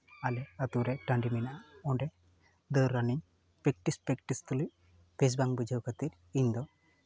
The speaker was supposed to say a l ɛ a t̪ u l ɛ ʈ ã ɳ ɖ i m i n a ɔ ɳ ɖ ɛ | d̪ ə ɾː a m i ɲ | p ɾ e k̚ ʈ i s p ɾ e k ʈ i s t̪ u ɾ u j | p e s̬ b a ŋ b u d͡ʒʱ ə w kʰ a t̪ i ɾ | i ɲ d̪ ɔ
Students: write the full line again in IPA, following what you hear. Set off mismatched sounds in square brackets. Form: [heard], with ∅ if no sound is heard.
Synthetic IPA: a l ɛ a t̪ u [ɾ] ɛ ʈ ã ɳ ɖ i m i n a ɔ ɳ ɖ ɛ | d̪ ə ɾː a [n] i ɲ | p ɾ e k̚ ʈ i s p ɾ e k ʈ i s t̪ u [l] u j | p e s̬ b a ŋ b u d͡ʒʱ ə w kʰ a t̪ i ɾ | i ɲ d̪ ɔ